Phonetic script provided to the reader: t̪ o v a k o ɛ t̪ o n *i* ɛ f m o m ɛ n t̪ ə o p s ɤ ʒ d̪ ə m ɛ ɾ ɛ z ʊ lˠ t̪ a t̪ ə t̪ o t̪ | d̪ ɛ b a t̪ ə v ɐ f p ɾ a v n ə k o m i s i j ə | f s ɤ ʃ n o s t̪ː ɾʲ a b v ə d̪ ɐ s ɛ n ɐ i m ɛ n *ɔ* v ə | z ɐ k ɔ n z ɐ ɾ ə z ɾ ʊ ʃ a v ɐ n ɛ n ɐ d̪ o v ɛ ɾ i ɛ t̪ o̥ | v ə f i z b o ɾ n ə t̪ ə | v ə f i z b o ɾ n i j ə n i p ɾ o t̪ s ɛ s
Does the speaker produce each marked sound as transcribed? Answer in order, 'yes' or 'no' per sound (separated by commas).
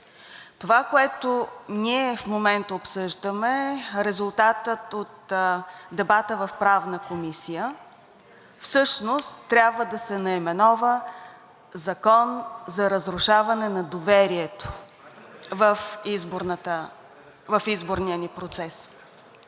yes, yes